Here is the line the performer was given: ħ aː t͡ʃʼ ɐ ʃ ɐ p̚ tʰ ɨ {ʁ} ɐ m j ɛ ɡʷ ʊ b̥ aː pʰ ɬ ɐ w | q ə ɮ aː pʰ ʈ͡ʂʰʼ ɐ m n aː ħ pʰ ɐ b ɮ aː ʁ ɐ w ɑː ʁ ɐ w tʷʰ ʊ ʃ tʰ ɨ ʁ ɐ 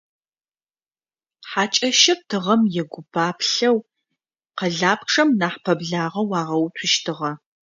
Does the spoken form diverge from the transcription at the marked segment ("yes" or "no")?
no